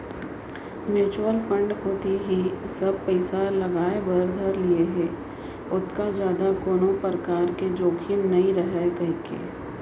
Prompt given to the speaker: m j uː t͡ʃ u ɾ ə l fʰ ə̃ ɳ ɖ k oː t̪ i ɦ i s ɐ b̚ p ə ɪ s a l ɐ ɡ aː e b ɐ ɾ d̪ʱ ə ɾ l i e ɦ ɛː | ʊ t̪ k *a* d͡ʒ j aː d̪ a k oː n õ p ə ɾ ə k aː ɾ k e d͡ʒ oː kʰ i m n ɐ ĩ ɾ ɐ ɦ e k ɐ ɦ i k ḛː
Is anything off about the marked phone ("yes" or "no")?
no